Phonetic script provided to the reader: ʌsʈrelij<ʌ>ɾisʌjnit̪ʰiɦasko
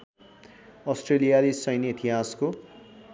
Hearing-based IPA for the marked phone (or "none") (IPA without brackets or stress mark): a